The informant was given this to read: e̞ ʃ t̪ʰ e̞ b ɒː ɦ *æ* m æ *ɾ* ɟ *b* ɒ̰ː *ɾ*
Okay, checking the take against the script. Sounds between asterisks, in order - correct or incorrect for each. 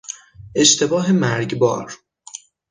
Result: incorrect, correct, correct, correct

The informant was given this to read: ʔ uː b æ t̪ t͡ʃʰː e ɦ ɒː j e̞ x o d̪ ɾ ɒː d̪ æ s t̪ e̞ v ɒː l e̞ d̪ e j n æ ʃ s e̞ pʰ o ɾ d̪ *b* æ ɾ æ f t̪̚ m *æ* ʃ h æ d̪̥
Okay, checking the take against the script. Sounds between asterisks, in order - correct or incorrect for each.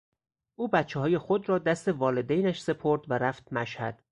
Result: incorrect, correct

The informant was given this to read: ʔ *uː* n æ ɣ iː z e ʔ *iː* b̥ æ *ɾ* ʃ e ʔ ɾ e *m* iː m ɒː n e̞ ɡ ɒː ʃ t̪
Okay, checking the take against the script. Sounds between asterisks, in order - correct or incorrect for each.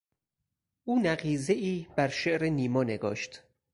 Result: correct, correct, correct, incorrect

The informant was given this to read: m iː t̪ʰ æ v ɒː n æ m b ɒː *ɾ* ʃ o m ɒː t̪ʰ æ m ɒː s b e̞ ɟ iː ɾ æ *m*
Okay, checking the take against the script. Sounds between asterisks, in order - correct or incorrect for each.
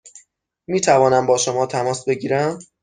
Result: incorrect, correct

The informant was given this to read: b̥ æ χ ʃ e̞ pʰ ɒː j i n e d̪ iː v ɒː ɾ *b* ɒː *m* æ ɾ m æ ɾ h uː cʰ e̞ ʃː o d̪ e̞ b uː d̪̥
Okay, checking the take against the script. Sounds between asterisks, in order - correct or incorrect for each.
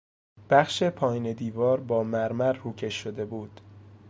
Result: correct, correct

